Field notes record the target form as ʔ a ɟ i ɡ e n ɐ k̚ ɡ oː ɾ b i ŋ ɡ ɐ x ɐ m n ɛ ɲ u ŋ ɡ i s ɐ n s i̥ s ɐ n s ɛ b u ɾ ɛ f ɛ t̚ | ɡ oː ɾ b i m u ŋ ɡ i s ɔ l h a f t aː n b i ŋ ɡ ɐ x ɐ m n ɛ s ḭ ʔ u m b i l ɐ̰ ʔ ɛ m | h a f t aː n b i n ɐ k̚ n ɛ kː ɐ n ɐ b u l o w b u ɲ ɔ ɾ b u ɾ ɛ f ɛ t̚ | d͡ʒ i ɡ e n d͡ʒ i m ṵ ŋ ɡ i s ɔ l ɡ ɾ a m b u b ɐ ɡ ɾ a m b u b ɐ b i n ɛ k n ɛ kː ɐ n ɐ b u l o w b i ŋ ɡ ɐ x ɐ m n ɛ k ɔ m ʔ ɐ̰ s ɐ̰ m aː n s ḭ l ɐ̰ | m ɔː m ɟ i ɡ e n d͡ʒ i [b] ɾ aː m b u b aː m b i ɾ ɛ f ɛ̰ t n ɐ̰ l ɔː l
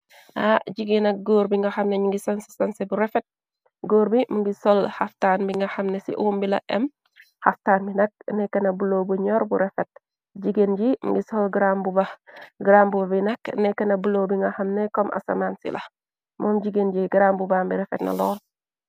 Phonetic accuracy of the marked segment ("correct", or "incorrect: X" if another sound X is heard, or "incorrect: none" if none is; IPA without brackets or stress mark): incorrect: ɡ